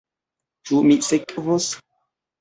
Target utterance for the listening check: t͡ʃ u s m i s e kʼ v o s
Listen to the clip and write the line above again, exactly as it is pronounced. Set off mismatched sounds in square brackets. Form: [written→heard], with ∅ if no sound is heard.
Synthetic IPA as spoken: t͡ʃ u [s→∅] m i s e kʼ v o s